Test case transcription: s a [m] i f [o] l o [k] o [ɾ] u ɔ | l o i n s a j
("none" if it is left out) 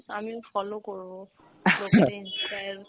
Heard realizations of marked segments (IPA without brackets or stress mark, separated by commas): m, ɔ, k, ɹ